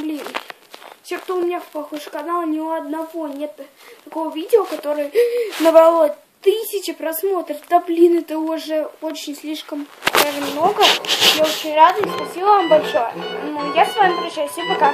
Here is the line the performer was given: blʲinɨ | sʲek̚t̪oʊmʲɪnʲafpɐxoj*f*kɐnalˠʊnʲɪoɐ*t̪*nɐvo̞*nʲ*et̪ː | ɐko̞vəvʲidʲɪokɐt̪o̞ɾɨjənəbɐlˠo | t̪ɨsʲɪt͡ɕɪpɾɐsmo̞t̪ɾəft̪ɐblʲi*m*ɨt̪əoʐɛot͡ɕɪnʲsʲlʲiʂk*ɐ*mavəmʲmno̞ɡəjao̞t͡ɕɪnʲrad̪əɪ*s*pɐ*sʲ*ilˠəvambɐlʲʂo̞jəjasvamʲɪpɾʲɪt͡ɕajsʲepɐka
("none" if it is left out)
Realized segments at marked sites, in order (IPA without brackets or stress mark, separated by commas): ʂ, d̪, nʲ, n, ə, s, sʲ